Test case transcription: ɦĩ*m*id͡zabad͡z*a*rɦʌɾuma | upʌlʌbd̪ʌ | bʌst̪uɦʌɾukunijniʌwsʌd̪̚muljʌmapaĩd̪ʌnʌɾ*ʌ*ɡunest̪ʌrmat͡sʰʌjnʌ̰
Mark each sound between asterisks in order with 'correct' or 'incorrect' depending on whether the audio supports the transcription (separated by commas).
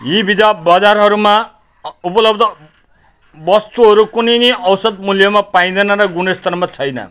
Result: incorrect, correct, correct